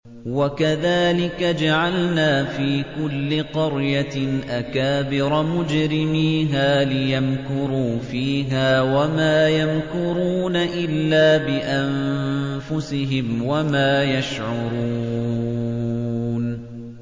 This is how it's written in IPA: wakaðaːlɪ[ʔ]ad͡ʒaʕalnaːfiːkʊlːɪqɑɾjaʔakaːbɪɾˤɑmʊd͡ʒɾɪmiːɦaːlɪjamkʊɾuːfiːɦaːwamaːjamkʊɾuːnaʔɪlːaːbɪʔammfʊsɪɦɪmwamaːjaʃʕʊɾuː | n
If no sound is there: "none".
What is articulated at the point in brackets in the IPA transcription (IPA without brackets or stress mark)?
k